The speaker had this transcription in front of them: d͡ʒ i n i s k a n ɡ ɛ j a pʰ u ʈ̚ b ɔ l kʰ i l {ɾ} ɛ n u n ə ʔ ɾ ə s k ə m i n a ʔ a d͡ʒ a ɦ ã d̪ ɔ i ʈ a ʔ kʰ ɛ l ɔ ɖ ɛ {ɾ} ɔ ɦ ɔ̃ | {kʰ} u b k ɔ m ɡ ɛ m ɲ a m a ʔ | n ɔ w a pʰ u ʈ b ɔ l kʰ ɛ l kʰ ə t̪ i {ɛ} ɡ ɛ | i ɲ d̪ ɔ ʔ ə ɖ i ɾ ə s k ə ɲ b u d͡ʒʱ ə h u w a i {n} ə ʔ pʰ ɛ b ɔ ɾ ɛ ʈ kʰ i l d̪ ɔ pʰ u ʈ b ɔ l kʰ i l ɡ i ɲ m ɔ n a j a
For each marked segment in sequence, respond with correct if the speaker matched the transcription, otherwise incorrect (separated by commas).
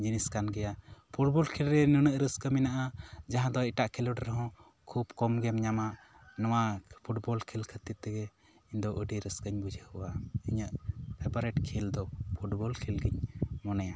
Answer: correct, correct, correct, correct, incorrect